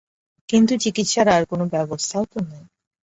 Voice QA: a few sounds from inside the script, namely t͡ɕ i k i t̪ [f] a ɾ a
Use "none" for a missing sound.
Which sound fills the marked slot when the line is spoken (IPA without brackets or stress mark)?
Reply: ʃ